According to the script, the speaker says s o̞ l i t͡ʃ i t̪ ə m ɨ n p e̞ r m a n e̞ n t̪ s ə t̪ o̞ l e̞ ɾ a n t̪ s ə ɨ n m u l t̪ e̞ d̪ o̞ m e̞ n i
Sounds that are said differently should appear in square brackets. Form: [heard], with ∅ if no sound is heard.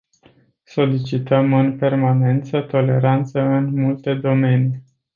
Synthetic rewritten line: s o̞ l i t͡ʃ i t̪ ə m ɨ n p e̞ r m a n e̞ n t̪ s ə t̪ o̞ l e̞ ɾ a n t̪ s ə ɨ n m u l t̪ e̞ d̪ o̞ m e̞ n i